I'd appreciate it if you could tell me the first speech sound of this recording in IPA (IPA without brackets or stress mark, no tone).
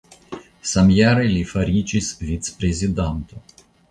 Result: s